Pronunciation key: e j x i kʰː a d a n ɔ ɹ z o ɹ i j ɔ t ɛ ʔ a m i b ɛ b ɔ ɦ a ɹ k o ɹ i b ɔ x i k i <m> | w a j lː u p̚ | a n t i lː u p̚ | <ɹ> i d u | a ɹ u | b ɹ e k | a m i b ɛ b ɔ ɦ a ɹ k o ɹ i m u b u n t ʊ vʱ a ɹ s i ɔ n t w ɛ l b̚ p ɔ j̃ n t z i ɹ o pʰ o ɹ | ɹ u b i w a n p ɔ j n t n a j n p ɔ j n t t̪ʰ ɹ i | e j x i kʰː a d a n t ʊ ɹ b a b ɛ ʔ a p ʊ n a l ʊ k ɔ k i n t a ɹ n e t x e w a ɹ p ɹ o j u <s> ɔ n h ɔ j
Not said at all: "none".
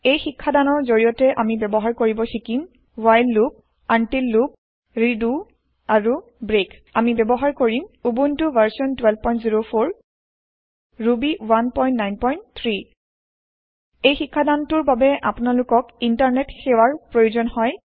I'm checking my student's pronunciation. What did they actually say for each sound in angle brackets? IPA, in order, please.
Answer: m, ɹ, z

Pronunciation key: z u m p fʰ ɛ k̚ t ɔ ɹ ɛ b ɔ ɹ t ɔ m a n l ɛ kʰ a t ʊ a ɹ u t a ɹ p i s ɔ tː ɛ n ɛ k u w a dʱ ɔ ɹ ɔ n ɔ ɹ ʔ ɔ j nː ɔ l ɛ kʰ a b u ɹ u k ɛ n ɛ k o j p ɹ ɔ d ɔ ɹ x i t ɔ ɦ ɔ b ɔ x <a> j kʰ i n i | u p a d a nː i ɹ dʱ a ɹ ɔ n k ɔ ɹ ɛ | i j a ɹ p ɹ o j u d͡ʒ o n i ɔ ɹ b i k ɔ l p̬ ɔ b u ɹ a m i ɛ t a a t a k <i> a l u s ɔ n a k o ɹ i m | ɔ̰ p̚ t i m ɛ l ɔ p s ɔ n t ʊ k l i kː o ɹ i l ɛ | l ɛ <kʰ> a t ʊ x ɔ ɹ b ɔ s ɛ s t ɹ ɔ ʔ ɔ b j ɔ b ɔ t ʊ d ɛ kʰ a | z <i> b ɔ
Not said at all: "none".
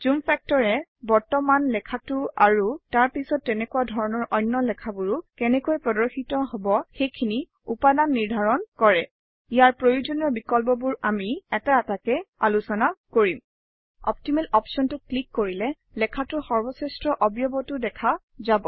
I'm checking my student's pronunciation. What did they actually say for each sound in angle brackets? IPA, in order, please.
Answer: e, ɛ, kʰ, a

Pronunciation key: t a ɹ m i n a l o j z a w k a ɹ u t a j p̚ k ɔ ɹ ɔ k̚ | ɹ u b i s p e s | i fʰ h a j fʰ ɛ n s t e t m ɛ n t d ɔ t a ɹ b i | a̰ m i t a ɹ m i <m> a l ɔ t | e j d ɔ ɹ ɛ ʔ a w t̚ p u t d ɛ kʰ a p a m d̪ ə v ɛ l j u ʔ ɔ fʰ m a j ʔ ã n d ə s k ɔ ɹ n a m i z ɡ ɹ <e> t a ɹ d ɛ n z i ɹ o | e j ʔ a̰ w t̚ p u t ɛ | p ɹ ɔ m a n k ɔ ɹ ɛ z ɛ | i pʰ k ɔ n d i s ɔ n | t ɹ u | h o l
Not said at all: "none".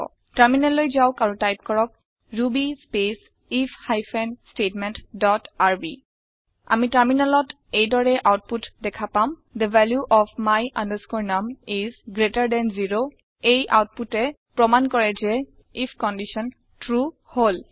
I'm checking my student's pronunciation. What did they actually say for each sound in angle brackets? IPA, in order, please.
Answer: n, e

